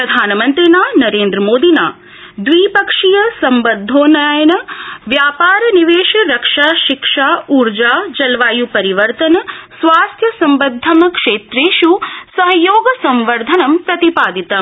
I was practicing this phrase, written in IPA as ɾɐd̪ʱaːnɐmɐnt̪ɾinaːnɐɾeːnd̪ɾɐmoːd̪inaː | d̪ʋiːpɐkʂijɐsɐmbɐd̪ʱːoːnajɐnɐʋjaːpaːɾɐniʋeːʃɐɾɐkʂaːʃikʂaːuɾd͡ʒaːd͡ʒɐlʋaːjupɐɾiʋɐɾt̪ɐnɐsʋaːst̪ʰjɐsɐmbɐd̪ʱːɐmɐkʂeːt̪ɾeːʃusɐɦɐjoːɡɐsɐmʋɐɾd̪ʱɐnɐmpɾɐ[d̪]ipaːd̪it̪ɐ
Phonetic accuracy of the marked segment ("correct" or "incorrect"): incorrect